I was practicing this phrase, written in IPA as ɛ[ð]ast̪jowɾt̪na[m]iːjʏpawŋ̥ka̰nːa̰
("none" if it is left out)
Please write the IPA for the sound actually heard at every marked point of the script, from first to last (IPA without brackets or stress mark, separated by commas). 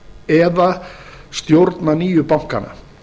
ð, n